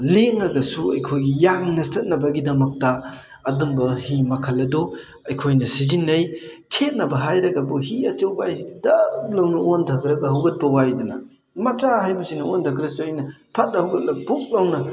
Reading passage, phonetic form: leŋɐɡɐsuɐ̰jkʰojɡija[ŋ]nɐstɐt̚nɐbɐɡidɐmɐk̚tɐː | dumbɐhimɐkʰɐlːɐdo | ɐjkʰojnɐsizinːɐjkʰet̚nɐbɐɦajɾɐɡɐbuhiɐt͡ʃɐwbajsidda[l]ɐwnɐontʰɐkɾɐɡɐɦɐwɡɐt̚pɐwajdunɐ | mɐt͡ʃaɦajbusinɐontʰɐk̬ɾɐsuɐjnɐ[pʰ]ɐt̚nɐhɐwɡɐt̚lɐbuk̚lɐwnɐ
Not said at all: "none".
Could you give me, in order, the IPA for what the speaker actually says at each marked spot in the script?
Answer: ŋ, l, pʰ

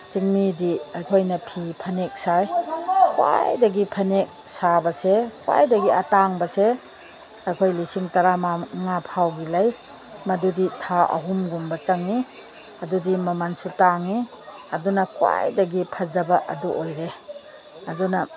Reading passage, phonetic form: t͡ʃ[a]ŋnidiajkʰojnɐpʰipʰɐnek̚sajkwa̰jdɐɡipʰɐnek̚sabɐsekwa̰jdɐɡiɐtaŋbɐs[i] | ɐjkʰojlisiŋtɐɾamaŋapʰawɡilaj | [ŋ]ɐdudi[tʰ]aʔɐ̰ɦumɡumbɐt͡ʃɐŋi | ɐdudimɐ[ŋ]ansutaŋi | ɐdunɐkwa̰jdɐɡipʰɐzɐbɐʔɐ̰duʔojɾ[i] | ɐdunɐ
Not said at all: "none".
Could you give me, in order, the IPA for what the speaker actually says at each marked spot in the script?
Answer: i, e, m, tʰ, m, e

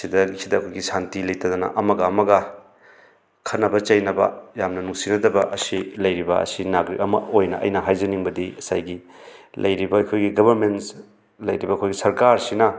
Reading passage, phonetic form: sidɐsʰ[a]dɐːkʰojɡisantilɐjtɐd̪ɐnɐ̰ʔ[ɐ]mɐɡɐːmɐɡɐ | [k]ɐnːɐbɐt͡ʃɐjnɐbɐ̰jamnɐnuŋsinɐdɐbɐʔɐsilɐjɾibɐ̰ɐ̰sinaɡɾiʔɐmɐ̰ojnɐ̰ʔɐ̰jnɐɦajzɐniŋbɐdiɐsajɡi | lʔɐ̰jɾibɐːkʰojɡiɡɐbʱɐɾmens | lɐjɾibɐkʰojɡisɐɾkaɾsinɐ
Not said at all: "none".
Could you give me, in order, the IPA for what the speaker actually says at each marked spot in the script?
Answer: i, ɐ, kʰ

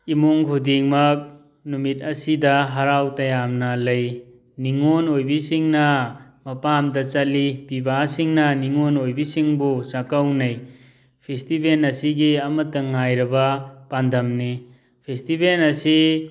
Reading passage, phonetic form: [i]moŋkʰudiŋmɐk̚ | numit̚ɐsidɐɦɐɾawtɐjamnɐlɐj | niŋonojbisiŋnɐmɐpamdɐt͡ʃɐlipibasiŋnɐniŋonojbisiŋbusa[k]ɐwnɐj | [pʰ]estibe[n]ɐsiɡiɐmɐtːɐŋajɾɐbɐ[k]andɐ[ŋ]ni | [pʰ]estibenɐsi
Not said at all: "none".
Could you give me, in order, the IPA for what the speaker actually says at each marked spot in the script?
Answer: i, k, pʰ, n, p, m, pʰ

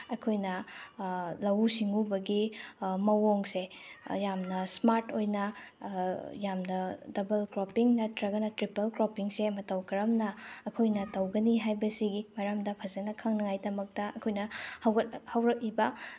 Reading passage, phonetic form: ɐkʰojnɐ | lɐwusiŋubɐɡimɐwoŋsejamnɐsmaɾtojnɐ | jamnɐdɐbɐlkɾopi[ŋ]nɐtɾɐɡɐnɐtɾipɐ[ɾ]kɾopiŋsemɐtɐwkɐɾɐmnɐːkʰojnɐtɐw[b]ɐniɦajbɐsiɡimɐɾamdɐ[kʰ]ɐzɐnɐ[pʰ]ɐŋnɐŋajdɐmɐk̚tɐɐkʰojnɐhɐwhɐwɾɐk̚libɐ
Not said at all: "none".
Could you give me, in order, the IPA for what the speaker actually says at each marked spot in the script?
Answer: ŋ, l, ɡ, pʰ, kʰ

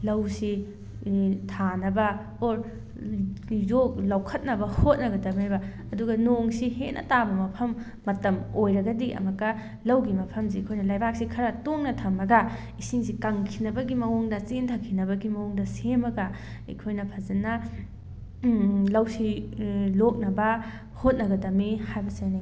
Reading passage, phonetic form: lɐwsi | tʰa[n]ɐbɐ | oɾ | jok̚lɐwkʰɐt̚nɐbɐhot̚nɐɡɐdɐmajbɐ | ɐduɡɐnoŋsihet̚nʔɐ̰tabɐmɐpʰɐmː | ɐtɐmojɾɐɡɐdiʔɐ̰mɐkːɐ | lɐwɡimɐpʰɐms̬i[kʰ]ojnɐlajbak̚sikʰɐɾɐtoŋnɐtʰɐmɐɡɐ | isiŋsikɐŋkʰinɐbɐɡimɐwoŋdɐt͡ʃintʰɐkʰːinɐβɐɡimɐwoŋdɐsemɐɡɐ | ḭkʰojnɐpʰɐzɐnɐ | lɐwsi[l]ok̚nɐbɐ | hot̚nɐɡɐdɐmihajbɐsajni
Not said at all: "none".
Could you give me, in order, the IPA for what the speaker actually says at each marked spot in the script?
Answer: n, kʰ, l

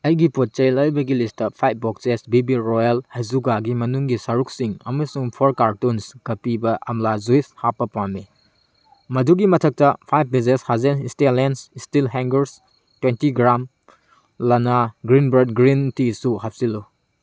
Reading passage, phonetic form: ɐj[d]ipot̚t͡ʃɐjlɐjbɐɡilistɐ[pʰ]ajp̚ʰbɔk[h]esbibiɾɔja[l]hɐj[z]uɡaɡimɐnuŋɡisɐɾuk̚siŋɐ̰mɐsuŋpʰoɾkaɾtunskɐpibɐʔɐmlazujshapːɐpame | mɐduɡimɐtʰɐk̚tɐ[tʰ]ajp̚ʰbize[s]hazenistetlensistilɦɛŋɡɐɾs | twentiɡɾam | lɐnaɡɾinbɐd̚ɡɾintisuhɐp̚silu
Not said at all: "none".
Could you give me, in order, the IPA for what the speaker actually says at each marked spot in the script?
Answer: ɡ, pʰ, s, l, z, pʰ, s

